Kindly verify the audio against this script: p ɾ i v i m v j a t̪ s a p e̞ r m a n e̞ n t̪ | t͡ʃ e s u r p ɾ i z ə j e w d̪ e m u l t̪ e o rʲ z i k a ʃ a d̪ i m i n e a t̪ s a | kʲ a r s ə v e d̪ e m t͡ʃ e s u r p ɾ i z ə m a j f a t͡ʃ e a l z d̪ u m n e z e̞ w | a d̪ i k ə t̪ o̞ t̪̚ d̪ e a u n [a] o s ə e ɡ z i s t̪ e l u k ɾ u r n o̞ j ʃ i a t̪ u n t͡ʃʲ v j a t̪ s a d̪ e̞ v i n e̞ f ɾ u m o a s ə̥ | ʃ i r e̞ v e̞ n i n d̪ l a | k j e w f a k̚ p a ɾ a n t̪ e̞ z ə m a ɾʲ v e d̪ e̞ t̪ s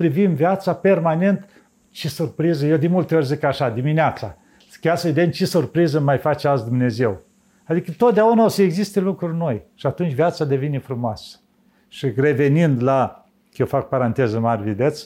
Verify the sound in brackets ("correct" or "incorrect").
correct